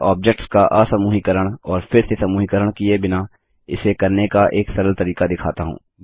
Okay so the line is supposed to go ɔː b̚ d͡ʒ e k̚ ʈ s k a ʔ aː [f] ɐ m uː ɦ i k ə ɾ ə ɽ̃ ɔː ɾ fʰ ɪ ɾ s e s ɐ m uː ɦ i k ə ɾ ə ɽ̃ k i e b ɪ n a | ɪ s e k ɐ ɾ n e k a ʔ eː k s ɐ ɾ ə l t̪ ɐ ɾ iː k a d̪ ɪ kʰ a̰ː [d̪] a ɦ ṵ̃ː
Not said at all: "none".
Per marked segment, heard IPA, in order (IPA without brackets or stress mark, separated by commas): s, t̪